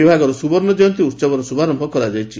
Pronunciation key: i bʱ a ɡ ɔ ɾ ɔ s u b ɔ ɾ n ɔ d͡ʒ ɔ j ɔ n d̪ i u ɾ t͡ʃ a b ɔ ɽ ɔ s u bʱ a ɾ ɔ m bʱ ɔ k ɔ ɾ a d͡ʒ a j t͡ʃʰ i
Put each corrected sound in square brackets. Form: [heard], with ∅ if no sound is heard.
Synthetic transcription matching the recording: i bʱ a ɡ ɔ ɾ ɔ s u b ɔ ɾ n ɔ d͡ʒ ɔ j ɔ n [t̪] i u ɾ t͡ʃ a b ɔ [ɾ] ɔ s u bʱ a ɾ ɔ m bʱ ɔ k ɔ ɾ a d͡ʒ a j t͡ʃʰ i